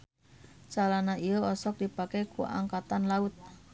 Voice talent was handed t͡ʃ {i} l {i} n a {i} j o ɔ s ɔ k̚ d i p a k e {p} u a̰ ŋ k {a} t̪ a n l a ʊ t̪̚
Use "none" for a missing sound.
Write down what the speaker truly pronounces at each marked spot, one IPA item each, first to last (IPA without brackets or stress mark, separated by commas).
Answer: a, a, i, k, a